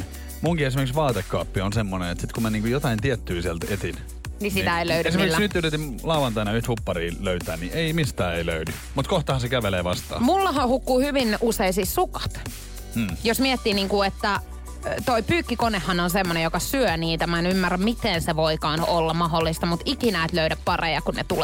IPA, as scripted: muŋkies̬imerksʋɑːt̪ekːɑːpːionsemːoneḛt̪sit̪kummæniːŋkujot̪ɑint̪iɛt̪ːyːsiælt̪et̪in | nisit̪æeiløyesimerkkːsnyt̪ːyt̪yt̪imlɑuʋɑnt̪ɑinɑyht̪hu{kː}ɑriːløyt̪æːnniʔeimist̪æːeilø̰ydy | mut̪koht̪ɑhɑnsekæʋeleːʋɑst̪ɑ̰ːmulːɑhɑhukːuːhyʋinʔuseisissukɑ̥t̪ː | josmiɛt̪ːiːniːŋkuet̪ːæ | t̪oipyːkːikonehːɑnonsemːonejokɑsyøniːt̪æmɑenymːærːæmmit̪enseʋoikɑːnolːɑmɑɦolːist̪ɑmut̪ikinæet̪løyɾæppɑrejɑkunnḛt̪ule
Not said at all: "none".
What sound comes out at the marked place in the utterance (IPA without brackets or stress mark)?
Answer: pː